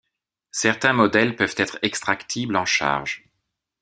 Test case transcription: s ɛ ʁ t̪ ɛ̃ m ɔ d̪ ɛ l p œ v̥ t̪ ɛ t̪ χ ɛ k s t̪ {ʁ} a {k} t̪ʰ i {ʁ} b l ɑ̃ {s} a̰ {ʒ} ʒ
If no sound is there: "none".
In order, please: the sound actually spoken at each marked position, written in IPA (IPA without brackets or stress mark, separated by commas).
χ, k, none, ʃ, ʁ